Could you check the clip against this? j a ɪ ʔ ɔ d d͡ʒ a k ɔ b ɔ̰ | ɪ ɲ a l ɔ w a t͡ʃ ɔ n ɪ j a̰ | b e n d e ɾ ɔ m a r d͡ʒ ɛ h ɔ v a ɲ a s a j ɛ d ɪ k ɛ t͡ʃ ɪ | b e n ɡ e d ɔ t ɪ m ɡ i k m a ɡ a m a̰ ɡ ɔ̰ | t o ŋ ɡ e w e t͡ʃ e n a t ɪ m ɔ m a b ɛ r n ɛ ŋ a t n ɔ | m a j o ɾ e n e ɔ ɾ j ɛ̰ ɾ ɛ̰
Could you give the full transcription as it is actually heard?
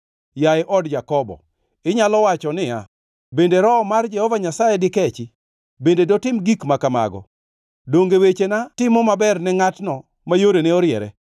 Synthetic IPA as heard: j a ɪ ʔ ɔ d d͡ʒ a k ɔ b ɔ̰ | ɪ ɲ a l ɔ w a t͡ʃ ɔ n ɪ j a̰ | b e n d e ɾ ɔ m a r d͡ʒ ɛ h ɔ v a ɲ a s a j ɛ d ɪ k ɛ t͡ʃ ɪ | b e n d e d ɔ t ɪ m ɡ i k m a k a m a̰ ɡ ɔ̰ | d o ŋ ɡ e w e t͡ʃ e n a t ɪ m ɔ m a b ɛ r n ɛ ŋ a t n ɔ | m a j o ɾ e n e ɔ ɾ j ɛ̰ ɾ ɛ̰